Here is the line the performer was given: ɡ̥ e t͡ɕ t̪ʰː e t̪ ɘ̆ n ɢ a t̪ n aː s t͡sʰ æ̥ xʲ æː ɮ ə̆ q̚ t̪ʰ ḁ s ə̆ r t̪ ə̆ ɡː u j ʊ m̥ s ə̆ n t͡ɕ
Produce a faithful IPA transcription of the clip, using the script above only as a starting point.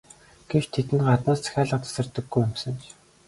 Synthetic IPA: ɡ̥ e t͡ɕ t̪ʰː e t̪ ɘ̆ n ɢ a t̪ n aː s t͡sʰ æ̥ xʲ æː ɮ ə̆ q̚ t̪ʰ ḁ s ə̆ r t̪ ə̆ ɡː u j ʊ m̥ s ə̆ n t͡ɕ